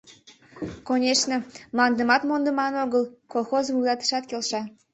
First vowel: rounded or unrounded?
rounded